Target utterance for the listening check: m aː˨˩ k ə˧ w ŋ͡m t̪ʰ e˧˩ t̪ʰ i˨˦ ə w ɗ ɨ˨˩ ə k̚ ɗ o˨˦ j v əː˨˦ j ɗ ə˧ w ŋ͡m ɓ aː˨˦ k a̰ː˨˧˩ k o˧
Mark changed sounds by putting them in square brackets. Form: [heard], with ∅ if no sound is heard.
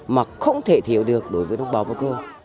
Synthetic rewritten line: m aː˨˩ [x] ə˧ w ŋ͡m t̪ʰ e˧˩ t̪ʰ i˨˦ ə w ɗ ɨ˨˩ ə k̚ ɗ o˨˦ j v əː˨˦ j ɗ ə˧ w ŋ͡m ɓ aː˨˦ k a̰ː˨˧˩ k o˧